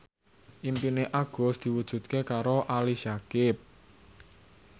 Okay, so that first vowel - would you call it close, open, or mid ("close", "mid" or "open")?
close